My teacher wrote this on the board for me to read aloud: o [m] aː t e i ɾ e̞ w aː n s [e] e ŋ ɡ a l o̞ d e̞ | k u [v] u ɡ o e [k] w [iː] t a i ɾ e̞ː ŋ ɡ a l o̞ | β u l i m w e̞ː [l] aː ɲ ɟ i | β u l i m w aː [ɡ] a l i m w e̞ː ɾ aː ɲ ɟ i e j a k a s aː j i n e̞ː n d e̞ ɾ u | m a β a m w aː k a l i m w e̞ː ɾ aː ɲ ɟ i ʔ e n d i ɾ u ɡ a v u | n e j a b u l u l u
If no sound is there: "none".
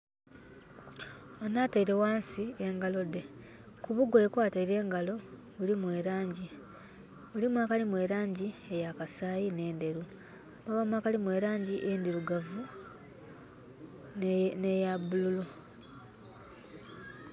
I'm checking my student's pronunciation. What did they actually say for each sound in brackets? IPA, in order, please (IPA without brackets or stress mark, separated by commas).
n, i, β, k, aː, ɾ, k